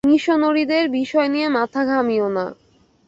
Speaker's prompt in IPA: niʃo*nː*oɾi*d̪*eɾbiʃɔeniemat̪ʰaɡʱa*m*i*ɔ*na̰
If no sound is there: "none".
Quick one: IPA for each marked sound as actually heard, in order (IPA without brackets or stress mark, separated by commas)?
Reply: n, d̪, m, o